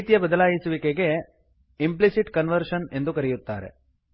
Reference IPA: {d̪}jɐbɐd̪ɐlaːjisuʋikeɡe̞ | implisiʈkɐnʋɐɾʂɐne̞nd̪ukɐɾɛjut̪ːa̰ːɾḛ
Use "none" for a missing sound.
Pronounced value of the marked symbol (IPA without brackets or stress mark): t̪